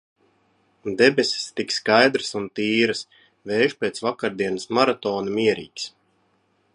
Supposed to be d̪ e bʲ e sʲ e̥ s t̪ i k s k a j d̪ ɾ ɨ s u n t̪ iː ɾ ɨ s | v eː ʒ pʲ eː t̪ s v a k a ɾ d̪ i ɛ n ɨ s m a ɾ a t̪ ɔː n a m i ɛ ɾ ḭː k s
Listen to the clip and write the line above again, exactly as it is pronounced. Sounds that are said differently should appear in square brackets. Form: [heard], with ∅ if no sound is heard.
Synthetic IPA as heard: d̪ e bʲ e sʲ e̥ s t̪ i k s k a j d̪ ɾ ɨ s u n t̪ iː ɾ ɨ s | v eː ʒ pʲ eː t̪ s v a k a ɾ d̪ i ɛ n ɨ s m a ɾ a t̪ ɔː n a m i ɛ ɾ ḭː k s